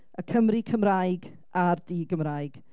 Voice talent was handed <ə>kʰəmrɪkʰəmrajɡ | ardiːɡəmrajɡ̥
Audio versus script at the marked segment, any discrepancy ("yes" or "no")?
no